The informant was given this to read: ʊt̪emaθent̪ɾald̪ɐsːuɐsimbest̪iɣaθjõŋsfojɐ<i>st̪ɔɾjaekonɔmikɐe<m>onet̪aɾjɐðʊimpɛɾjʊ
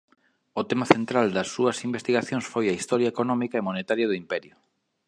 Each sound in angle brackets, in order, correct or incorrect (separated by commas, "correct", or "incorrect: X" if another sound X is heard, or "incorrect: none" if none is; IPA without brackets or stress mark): correct, correct